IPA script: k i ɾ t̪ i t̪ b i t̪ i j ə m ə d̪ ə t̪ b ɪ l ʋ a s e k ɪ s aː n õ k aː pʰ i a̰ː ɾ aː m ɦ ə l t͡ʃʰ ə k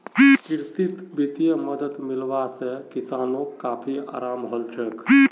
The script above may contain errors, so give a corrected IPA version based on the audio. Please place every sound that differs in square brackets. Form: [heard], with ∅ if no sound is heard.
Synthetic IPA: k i ɾ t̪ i t̪ b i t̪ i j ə m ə d̪ ə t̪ [m] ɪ l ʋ a s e k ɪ s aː n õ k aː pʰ i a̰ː ɾ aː m ɦ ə l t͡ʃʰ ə k